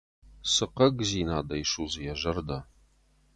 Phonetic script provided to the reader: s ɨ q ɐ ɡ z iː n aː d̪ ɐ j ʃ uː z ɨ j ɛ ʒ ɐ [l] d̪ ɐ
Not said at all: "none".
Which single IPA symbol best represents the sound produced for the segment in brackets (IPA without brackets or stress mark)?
r